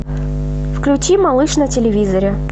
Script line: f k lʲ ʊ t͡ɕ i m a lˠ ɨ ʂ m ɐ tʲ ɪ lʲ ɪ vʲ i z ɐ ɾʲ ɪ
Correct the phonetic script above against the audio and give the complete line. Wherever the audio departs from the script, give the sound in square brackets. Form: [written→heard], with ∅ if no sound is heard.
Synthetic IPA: f k lʲ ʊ t͡ɕ i m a lˠ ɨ ʂ [m→n] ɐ tʲ ɪ lʲ ɪ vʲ i z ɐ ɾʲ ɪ